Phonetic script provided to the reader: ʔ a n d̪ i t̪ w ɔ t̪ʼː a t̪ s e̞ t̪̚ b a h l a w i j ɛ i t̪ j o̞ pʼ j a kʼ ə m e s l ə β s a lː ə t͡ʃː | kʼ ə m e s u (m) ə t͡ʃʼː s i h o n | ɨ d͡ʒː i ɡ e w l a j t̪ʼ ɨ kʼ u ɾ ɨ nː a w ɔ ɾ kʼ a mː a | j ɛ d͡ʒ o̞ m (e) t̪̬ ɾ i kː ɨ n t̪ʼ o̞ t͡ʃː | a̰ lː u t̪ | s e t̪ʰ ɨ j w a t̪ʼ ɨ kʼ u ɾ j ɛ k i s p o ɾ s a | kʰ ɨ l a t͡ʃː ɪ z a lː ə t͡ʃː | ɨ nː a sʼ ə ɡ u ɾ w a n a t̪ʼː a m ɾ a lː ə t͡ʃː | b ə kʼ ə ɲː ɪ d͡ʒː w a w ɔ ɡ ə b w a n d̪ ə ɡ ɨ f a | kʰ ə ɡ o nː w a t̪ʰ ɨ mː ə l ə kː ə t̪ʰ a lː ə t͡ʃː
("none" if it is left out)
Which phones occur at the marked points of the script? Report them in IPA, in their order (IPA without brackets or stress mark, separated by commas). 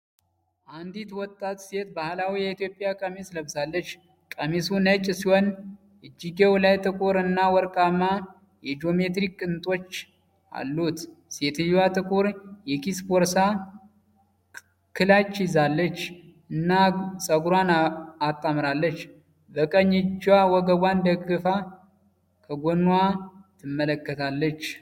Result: n, e